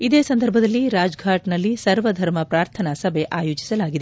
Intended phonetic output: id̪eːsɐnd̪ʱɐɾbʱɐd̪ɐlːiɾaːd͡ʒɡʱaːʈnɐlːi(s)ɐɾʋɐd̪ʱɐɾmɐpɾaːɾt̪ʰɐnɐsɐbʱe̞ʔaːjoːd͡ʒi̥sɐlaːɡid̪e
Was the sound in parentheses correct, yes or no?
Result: yes